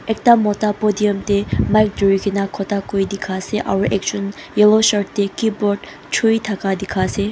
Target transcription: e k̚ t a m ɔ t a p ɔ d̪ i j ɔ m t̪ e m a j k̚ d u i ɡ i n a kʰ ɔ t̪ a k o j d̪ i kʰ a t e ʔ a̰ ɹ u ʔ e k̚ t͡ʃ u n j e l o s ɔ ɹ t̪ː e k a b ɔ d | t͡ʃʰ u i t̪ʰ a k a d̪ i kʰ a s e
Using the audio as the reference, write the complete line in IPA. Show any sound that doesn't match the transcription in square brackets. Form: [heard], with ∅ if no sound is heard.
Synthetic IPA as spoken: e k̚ t a m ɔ t a p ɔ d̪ i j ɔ m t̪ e m a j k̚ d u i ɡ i n a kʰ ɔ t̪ a k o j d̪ i kʰ a [s] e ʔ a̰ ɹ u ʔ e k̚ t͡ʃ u n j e l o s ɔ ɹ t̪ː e k [i] b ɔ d | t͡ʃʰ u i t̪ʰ a k a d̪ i kʰ a s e